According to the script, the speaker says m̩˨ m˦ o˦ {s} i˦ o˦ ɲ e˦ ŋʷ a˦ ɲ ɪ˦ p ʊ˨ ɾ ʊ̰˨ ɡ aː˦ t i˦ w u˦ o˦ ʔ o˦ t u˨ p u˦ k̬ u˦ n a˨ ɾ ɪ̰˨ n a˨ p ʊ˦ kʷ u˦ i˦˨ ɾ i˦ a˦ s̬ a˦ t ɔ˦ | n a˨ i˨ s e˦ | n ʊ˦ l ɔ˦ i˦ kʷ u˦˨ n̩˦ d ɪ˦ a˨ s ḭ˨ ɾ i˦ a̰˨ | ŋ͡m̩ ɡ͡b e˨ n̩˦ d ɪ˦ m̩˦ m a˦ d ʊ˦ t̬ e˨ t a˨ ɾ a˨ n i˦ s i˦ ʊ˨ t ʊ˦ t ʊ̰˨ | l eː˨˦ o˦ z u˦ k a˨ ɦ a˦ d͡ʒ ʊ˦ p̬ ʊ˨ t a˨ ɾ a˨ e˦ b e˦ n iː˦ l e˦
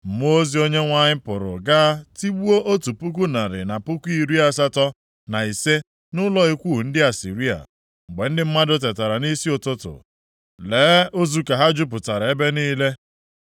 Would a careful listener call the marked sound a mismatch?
yes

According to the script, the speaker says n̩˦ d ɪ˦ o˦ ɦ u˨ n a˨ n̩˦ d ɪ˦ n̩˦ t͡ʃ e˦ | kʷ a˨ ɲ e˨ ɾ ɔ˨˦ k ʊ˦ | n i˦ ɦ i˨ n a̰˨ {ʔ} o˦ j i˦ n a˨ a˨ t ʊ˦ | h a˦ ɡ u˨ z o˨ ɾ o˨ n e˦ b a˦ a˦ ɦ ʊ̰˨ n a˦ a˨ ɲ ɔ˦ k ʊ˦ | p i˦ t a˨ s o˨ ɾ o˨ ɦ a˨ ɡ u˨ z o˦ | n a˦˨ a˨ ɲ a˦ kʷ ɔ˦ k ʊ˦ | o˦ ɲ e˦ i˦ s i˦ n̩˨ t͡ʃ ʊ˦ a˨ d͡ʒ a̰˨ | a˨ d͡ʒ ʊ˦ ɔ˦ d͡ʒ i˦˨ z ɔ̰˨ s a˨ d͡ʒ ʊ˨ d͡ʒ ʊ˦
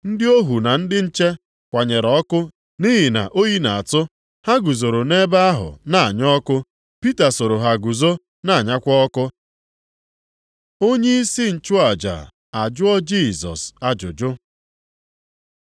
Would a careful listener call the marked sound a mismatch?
no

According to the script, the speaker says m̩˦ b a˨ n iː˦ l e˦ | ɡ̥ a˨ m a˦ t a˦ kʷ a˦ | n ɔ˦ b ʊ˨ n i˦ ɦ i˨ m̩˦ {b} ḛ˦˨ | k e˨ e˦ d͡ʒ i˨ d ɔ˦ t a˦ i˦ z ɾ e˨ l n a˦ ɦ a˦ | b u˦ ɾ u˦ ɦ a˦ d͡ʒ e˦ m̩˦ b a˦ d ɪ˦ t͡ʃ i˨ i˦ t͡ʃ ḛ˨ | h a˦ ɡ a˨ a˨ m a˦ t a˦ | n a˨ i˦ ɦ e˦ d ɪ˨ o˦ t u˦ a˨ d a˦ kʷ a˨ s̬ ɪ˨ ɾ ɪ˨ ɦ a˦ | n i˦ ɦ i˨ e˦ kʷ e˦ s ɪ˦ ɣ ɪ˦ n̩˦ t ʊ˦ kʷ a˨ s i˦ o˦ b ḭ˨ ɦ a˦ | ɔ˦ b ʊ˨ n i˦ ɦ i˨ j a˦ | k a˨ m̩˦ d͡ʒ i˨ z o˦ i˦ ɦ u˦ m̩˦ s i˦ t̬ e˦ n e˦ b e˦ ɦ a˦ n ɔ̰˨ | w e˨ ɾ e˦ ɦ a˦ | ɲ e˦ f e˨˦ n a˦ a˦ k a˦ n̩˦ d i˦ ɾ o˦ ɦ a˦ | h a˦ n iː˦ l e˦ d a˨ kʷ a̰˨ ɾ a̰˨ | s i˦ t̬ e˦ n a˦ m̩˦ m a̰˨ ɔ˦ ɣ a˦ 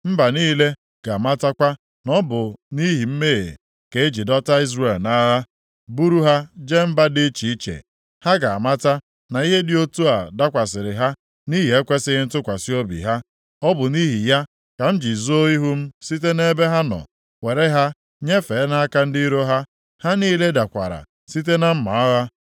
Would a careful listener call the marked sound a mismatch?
yes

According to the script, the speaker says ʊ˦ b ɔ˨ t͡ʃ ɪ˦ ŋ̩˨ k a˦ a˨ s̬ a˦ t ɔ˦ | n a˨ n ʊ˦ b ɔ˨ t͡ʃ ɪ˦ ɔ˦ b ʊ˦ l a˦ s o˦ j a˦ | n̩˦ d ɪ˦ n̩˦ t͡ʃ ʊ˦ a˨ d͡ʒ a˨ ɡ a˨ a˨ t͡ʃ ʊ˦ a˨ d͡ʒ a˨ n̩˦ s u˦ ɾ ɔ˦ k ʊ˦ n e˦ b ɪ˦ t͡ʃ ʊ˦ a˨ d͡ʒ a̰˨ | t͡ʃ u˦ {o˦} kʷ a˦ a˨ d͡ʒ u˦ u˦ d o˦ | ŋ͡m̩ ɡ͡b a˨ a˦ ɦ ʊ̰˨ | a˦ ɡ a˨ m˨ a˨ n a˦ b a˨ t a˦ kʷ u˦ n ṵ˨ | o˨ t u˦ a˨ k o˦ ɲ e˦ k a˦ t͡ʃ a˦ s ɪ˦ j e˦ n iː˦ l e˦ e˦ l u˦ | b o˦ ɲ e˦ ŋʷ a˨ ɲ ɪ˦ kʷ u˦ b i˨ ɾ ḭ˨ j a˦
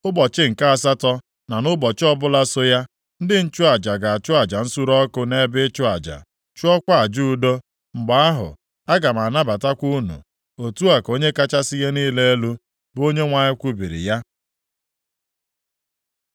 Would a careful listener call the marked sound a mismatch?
yes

